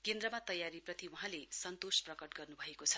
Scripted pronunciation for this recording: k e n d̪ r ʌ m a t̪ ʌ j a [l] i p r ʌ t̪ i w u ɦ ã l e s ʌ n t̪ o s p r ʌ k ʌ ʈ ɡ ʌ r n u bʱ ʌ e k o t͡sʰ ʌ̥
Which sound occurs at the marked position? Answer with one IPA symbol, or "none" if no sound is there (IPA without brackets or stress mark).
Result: ɾ